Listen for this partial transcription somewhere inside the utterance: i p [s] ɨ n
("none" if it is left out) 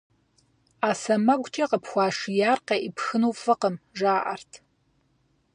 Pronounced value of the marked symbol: x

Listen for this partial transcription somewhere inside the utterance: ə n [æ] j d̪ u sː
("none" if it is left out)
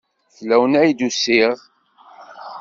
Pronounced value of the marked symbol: æ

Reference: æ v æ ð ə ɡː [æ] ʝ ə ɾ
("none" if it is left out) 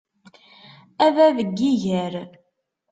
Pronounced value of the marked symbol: i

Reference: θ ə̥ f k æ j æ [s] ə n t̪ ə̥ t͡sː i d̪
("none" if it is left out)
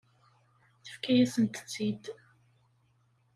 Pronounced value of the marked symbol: s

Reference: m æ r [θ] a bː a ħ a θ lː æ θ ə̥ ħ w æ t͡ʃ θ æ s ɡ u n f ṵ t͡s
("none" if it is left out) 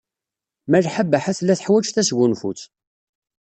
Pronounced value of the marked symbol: ħ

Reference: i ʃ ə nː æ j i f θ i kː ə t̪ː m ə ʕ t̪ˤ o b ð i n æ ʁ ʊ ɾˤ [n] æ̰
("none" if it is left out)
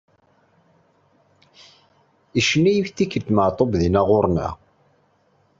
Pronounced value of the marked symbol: n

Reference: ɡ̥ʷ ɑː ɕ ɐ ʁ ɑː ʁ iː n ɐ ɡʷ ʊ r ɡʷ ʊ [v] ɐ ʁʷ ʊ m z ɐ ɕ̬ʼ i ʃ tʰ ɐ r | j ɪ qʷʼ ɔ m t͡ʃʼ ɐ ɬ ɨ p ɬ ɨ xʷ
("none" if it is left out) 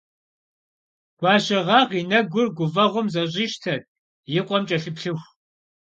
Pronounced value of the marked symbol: v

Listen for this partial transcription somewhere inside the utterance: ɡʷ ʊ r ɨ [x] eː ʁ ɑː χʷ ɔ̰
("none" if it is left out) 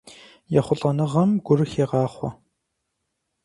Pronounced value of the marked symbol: x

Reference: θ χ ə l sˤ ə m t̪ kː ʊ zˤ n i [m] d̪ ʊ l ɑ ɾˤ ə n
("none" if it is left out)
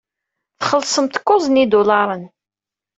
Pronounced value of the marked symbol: none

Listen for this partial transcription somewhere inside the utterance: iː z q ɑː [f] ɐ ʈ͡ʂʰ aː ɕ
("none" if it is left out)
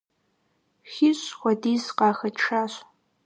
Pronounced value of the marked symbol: x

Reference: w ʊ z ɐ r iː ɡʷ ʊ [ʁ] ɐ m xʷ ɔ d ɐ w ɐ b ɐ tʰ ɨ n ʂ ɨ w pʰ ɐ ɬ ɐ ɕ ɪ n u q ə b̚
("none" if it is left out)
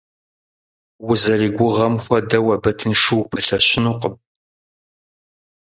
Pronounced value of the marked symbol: ʁ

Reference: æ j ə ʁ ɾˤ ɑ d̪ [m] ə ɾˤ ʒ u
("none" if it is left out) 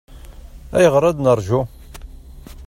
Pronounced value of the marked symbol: n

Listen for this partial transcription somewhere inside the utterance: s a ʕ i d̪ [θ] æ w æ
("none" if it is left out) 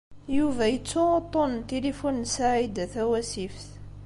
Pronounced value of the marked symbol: θ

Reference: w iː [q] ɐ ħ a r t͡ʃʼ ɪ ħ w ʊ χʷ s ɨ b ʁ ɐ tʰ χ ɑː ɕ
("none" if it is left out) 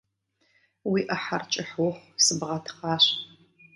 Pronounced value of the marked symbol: ʔ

